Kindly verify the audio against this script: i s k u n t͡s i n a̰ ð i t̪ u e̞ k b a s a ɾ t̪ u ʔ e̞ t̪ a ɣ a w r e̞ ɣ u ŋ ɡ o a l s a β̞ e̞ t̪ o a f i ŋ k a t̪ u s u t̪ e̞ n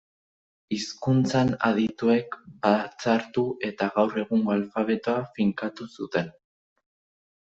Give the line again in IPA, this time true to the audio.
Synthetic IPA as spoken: i s k u n t͡s a n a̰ ð i t̪ u e̞ k b a t͡s a ɾ t̪ u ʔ e̞ t̪ a ɣ a w r e̞ ɣ u ŋ ɡ o a l f a β̞ e̞ t̪ o a f i ŋ k a t̪ u s u t̪ e̞ n